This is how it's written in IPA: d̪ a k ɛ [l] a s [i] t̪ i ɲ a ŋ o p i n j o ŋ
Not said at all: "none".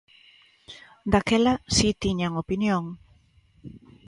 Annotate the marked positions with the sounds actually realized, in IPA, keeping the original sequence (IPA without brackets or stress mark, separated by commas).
l, i